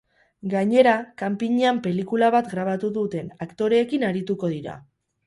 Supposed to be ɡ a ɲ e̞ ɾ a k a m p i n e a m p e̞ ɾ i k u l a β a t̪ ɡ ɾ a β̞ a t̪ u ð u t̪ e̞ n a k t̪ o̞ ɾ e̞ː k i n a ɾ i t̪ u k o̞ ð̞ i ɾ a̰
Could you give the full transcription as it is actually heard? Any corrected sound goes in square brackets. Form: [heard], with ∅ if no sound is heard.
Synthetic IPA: ɡ a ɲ e̞ ɾ a k a m p i [ɲ] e a m p e̞ [l] i k u l a β a t̪ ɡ ɾ a β̞ a t̪ u ð u t̪ e̞ n a k t̪ o̞ ɾ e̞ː k i n a ɾ i t̪ u k o̞ ð̞ i ɾ a̰